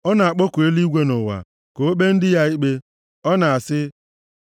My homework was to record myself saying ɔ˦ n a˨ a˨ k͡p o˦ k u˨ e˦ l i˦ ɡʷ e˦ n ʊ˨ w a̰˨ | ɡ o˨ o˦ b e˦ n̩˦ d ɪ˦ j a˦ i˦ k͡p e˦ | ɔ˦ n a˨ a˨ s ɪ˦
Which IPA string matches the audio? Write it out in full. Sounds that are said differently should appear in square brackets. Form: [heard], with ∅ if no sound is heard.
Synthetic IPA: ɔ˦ n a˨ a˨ k͡p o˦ k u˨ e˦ l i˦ ɡʷ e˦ n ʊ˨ w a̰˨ | [k] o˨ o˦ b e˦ n̩˦ d ɪ˦ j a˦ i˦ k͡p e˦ | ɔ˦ n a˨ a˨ s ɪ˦